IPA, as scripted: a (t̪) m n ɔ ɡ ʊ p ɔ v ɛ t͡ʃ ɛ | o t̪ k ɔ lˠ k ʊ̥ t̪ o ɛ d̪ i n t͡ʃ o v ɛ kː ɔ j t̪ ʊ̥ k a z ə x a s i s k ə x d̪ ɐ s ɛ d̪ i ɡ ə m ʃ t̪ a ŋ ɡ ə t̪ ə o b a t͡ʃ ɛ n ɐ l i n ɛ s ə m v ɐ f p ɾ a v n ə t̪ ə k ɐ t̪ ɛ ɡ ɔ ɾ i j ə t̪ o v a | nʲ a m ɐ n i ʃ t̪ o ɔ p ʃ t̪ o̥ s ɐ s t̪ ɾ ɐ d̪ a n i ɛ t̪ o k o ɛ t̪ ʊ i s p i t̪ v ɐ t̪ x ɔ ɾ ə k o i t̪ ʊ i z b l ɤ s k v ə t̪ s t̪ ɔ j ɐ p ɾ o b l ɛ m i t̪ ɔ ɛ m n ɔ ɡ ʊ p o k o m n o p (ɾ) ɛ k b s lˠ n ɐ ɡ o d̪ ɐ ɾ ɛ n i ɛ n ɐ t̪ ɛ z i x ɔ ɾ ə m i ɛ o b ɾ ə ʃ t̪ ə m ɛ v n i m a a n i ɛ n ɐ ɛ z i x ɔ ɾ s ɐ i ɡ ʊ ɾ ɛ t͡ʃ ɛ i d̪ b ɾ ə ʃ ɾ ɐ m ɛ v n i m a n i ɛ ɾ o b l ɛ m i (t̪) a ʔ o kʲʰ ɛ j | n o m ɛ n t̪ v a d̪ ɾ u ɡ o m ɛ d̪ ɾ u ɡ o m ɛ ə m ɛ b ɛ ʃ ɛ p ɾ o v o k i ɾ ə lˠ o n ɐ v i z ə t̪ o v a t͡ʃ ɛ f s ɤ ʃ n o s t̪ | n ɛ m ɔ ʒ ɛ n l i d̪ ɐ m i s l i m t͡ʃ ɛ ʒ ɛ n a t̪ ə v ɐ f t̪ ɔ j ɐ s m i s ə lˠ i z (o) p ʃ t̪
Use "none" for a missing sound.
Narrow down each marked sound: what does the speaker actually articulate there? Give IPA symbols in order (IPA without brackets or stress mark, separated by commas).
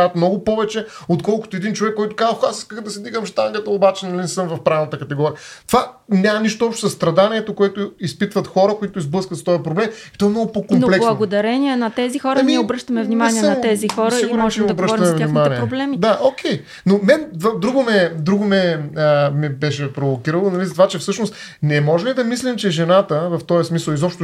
t̪, l, d̪, ɔ